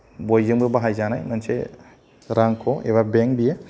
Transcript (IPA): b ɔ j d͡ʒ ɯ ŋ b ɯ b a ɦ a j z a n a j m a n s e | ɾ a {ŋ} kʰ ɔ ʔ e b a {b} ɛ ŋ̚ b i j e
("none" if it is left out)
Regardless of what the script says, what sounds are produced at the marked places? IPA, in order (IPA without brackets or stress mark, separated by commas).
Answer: ŋ, b